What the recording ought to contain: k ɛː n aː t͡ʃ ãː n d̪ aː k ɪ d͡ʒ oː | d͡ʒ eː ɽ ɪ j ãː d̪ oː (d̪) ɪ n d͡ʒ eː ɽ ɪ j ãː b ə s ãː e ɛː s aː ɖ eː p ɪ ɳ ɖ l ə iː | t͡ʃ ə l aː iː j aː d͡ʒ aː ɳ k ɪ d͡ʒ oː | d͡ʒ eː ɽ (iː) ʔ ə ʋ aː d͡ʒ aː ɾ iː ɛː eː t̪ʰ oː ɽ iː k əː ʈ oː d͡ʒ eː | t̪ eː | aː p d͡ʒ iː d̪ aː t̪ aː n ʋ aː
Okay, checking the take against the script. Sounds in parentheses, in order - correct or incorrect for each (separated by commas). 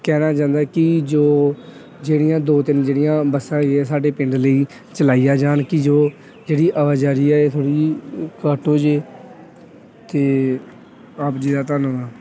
incorrect, correct